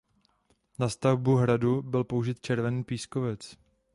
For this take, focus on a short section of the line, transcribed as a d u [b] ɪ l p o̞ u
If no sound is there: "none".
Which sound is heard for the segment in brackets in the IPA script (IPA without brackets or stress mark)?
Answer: b